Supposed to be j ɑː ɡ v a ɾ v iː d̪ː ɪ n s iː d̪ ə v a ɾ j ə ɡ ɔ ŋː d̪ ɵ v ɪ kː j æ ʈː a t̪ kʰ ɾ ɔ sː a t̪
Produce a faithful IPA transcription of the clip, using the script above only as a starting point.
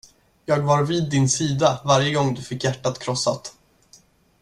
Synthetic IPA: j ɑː ɡ v a ɾ v iː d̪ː ɪ n s iː d̪ a v a ɾ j ə ɡ ɔ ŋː d̪ ɵ f ɪ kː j æ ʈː a t̪ kʰ ɾ ɔ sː a t̪